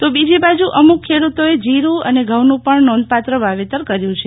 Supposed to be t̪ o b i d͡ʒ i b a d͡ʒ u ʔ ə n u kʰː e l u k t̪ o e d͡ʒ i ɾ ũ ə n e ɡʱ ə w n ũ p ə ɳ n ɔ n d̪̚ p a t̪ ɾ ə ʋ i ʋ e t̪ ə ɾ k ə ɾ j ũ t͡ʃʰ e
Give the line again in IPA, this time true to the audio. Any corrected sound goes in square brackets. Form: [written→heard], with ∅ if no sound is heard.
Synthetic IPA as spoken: t̪ o b i d͡ʒ i b a d͡ʒ u ʔ ə [n→m] u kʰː e [l→ɽ] u [k→∅] t̪ o e d͡ʒ i ɾ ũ ə n e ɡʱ ə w n ũ p ə ɳ n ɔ n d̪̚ p a t̪ ɾ ə ʋ [i→a] ʋ e t̪ ə ɾ k ə ɾ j ũ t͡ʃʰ e